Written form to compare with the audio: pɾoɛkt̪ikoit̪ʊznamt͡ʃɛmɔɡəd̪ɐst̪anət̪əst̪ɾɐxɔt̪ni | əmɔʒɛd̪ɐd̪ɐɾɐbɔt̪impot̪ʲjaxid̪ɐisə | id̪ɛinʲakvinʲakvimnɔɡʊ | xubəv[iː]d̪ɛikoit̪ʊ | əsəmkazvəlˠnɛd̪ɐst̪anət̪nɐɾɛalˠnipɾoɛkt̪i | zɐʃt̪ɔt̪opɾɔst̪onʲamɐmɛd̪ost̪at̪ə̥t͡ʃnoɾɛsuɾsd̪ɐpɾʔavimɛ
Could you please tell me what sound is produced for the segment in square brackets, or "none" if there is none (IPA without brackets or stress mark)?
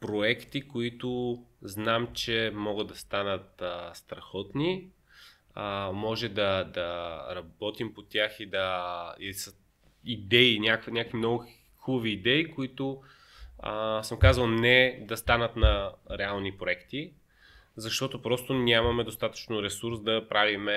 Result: iː